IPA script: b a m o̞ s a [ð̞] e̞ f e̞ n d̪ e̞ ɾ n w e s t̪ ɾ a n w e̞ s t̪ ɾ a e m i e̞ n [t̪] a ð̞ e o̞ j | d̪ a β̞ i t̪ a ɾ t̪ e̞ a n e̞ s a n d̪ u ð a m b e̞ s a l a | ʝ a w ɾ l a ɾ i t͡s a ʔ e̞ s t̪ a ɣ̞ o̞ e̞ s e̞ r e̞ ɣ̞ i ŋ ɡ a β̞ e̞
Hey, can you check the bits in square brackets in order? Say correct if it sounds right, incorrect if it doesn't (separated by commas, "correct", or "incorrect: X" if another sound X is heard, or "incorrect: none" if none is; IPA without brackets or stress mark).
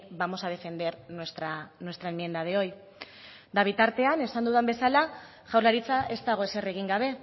correct, incorrect: d̪